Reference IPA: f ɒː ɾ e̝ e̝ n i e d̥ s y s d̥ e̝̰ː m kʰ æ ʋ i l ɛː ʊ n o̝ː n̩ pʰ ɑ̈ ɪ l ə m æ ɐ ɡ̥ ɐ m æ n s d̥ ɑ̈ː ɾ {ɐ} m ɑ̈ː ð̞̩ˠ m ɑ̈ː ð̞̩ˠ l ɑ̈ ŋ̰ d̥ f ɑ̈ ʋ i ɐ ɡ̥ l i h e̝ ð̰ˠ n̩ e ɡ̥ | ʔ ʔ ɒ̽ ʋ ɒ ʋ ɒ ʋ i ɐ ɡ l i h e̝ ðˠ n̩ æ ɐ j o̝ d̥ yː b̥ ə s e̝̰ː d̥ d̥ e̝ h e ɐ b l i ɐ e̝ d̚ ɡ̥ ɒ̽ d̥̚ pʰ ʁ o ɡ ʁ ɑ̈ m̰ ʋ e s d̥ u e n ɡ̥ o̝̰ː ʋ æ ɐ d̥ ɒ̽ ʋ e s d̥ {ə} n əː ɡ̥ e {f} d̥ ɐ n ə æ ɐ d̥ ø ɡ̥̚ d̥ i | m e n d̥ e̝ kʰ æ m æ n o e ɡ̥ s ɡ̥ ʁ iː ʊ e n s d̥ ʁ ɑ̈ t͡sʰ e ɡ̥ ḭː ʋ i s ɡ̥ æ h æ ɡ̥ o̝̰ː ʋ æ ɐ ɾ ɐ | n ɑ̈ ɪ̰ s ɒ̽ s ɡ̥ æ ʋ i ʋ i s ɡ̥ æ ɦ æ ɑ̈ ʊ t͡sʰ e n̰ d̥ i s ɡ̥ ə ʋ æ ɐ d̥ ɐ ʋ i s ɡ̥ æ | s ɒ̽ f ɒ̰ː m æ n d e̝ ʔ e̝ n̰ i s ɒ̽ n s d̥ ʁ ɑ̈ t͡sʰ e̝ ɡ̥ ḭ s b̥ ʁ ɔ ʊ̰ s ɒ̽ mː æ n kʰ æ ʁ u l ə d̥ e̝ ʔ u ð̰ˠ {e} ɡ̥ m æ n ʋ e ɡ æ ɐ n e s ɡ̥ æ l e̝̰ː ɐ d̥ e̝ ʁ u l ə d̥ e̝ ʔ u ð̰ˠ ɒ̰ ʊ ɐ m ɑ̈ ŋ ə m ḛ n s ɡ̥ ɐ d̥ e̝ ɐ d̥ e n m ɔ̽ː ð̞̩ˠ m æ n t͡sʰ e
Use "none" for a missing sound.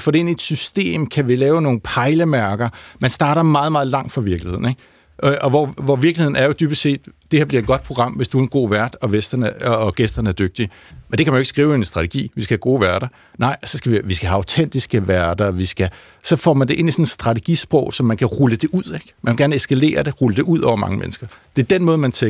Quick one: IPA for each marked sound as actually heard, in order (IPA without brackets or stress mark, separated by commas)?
ɐ, ɐ, s, e